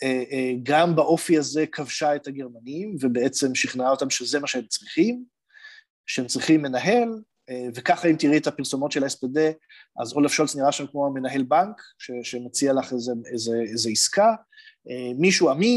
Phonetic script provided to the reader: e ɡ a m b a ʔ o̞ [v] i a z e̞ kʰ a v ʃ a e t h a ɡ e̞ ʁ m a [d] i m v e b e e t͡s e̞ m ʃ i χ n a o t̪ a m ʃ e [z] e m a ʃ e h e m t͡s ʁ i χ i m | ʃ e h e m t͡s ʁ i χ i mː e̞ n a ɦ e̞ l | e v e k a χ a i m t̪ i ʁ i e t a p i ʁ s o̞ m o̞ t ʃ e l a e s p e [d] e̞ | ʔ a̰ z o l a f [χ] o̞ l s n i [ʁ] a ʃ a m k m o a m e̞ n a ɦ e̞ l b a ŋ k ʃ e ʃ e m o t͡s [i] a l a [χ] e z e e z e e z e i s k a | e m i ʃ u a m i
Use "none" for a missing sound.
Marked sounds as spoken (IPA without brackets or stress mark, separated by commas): f, n, z, d, ʃ, ʁ, i, χ